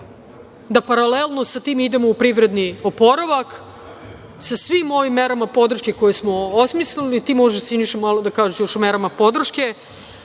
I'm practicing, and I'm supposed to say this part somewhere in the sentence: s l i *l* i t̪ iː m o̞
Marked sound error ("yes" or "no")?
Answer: no